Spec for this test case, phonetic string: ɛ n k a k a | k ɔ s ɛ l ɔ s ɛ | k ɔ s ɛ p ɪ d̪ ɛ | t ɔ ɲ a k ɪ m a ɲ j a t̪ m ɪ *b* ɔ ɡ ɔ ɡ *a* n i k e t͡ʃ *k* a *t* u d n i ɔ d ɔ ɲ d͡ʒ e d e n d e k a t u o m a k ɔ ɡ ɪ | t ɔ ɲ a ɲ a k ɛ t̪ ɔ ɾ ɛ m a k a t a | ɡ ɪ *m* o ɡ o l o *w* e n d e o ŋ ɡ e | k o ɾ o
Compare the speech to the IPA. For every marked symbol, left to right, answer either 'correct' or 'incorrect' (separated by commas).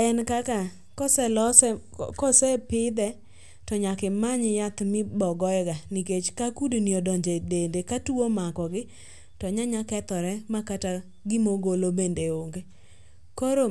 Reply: correct, correct, correct, incorrect, correct, incorrect